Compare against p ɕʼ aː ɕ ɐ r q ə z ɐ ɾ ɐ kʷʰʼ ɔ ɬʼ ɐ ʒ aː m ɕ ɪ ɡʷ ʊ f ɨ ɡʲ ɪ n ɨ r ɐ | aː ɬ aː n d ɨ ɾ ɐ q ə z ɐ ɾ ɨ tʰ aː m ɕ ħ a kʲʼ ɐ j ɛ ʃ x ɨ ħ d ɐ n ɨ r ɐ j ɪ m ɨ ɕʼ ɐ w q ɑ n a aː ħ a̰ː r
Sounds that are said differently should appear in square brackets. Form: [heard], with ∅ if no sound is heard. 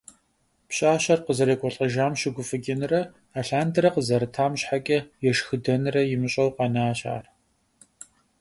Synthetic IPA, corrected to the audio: p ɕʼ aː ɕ ɐ r q ə z ɐ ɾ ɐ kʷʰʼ ɔ ɬʼ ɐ ʒ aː m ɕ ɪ ɡʷ ʊ f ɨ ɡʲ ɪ n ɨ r ɐ | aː ɬ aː n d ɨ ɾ ɐ q ə z ɐ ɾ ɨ tʰ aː m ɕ ħ a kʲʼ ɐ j ɛ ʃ x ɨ [∅] d ɐ n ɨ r ɐ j ɪ m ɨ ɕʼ ɐ w q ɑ n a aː [ɕ] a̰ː r

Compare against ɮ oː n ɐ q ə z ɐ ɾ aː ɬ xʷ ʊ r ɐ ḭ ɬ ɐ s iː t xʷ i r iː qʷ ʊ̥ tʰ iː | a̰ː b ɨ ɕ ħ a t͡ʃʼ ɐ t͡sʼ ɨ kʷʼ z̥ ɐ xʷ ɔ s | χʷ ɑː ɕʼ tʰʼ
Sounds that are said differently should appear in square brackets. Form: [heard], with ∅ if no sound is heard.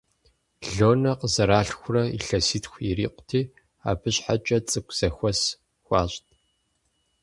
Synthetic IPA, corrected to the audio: ɮ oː n ɐ q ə z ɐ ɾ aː ɬ xʷ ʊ r ɐ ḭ ɬ ɐ s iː t xʷ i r iː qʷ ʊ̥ tʰ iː | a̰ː b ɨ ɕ ħ a t͡ʃʼ ɐ t͡sʼ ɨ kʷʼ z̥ ɐ xʷ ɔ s | [xʷ] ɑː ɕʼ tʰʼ

